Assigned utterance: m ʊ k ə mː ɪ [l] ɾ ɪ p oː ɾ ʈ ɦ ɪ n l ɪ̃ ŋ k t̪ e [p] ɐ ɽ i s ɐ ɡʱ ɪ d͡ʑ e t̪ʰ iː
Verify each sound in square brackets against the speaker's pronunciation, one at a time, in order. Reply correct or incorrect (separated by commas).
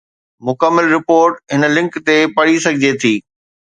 correct, correct